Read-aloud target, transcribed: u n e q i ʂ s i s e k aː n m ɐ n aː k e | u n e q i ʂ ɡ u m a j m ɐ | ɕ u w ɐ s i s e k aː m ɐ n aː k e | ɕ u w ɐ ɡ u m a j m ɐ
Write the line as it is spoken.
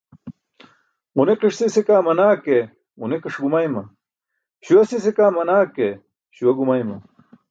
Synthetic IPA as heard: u n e q i ʂ s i s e k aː m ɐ n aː k e | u n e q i ʂ ɡ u m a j m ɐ | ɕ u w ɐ s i s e k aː m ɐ n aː k e | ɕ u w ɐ ɡ u m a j m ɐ